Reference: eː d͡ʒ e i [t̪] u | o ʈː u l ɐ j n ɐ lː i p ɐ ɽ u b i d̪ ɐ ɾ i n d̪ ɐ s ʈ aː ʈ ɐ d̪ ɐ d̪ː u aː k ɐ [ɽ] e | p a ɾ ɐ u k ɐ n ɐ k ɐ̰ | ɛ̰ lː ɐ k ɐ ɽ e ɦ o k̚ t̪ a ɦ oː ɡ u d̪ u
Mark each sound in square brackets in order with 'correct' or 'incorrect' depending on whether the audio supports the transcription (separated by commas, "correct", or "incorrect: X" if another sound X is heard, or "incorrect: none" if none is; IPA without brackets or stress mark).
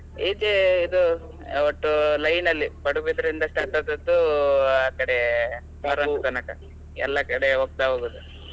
incorrect: d̪, correct